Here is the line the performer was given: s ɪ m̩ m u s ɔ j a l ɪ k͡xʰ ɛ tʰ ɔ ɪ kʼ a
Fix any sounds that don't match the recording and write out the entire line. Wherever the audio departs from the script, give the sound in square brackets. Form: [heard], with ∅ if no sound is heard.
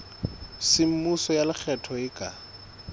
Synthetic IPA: s ɪ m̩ m u s ɔ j a l ɪ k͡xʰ ɛ tʰ ɔ ɪ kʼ a